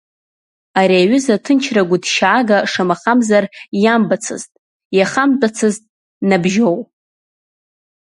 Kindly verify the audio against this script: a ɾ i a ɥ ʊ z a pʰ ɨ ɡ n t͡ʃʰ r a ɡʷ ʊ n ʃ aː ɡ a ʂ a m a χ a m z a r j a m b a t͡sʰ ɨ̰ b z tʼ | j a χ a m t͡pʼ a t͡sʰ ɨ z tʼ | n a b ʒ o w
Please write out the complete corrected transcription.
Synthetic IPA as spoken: a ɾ i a ɥ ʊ z a tʰ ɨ n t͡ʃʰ r a ɡʷ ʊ d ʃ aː ɡ a ʂ a m a χ a m z a r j a m b a t͡sʰ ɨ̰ z tʼ | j a χ a m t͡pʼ a t͡sʰ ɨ z tʼ | n a b ʒ o w